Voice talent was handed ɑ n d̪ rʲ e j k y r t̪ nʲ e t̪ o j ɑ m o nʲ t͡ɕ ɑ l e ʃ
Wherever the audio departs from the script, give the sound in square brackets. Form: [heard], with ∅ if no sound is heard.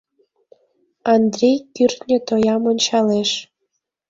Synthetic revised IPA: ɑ n d̪ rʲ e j k y r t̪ nʲ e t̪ o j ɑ m o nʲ t͡ɕ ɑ l e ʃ